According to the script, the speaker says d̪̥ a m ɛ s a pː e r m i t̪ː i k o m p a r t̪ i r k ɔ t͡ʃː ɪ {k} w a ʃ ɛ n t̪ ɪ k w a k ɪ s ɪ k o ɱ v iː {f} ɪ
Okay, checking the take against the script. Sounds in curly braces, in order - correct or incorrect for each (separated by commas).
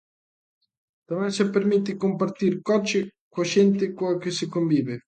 correct, incorrect